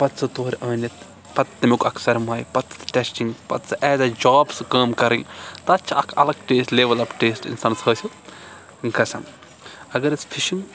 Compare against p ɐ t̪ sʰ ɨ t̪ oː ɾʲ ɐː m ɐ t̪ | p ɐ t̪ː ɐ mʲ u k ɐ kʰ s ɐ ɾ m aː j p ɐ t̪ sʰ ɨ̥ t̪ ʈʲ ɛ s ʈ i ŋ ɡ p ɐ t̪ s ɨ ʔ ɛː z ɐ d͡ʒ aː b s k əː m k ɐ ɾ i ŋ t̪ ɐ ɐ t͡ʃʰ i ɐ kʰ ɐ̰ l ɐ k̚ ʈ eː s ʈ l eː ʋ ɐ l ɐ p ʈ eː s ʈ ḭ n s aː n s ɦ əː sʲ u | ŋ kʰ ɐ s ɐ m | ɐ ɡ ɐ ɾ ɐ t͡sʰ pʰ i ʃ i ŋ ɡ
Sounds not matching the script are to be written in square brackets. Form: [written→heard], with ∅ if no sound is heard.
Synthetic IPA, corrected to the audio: p ɐ t̪ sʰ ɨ t̪ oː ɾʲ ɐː [m→n] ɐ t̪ | p ɐ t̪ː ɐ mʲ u k ɐ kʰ s ɐ ɾ m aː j p ɐ t̪ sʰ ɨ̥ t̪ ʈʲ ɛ s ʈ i ŋ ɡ p ɐ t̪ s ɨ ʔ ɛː z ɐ d͡ʒ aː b s k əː m k ɐ ɾ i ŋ t̪ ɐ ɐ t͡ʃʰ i ɐ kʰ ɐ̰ l ɐ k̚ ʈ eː s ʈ l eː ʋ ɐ l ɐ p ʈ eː s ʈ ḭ n s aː n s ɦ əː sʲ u | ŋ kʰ ɐ s ɐ m | ɐ ɡ ɐ ɾ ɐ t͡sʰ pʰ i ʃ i ŋ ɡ